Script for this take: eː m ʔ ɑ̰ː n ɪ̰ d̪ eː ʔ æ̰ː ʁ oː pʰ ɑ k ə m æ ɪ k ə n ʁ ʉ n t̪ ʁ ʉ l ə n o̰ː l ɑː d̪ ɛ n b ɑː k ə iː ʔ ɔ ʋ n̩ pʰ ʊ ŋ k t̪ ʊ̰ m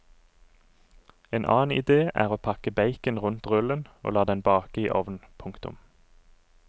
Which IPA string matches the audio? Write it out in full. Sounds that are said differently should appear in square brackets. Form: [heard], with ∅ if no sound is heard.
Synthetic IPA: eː [n] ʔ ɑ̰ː n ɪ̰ d̪ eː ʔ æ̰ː ʁ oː pʰ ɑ k ə [b] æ ɪ k ə n ʁ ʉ n t̪ ʁ ʉ l ə n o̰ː l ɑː d̪ ɛ n b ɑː k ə iː ʔ ɔ ʋ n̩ pʰ ʊ ŋ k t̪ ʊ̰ m